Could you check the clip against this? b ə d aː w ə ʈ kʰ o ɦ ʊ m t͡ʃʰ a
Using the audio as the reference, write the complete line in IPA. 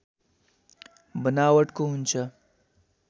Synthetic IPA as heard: b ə n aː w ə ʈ k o ɦ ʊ n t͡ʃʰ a